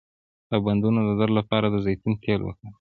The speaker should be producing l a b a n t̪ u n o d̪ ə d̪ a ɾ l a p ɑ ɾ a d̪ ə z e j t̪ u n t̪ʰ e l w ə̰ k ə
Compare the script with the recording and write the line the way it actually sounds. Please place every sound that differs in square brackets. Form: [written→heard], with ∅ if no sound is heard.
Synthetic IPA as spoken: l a b a n [t̪→d̪] u n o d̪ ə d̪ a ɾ l a p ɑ ɾ a d̪ ə z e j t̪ u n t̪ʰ e l w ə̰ k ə